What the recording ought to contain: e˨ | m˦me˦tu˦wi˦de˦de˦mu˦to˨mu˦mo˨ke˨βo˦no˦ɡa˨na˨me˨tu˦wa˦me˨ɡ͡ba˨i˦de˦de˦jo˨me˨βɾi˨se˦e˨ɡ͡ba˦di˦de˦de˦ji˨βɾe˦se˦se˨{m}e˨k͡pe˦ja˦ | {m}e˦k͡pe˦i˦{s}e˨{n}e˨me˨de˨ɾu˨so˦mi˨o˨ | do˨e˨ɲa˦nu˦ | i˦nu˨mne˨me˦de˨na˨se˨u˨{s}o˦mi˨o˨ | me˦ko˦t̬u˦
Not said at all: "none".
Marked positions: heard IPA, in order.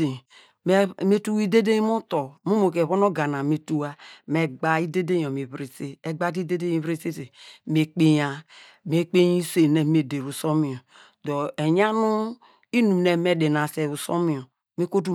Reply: m, m, s, n, s

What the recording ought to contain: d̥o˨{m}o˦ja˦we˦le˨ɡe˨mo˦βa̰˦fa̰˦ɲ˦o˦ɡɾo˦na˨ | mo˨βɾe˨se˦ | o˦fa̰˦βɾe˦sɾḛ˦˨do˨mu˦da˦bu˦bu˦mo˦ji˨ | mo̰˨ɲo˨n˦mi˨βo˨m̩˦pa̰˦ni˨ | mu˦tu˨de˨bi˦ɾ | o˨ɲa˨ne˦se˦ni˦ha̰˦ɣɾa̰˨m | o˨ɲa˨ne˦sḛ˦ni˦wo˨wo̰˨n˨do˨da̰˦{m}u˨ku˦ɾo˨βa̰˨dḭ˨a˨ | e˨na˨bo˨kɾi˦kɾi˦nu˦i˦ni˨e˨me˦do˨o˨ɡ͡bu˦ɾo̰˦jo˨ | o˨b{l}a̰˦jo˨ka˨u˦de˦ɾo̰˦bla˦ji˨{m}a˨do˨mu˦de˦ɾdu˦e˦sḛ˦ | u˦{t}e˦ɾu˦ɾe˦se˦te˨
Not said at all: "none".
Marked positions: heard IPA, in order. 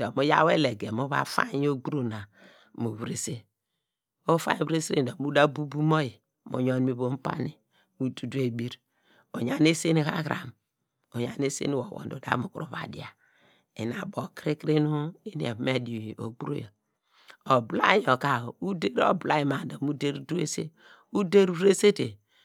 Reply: m, m, l, m, d

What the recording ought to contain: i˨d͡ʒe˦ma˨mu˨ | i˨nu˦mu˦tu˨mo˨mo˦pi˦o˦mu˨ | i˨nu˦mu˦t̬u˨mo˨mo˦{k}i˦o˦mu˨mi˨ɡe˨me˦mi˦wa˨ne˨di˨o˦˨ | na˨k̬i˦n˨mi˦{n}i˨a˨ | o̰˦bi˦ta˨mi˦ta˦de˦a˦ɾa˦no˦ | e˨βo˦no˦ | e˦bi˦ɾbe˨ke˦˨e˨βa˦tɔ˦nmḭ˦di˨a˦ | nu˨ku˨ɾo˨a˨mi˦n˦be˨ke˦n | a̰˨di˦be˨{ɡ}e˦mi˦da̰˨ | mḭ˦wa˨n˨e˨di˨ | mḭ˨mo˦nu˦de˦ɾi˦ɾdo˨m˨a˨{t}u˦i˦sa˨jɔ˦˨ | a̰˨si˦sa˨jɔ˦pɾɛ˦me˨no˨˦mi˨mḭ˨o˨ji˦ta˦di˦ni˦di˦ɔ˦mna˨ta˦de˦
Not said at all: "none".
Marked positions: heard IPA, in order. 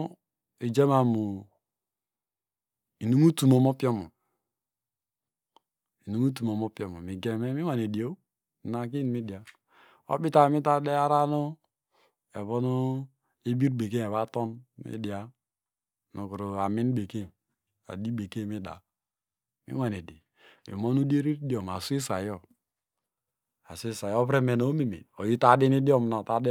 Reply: p, d, k, s

